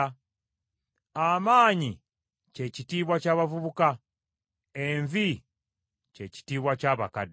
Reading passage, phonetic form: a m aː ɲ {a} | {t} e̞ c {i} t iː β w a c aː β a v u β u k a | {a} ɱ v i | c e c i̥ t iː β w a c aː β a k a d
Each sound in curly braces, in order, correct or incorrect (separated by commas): incorrect, incorrect, correct, incorrect